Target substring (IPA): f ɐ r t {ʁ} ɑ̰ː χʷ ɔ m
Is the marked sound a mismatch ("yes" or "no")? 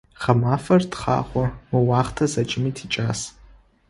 yes